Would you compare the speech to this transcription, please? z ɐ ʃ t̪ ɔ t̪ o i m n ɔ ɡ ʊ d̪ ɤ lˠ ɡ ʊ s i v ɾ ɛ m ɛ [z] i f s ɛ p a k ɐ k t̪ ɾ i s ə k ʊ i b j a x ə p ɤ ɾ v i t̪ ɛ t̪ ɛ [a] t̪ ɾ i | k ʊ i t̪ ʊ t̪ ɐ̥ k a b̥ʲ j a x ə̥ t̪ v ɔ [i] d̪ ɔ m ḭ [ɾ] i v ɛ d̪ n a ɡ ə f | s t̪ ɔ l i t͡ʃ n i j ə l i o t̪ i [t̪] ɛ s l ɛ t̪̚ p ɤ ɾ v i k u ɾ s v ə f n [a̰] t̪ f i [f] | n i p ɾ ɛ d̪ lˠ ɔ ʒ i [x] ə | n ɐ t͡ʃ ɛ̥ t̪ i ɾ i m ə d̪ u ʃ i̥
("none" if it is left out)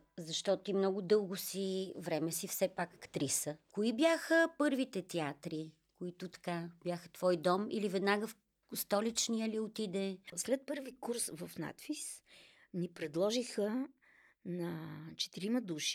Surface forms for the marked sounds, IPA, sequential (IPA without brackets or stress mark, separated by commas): s, a, j, l, d̪, a̰, s, x